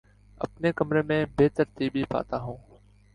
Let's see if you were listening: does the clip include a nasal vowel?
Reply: yes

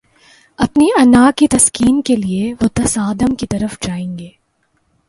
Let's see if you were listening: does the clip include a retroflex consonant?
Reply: no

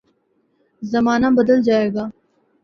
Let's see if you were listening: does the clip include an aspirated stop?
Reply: no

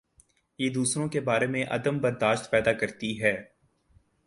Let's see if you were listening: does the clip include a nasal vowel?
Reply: yes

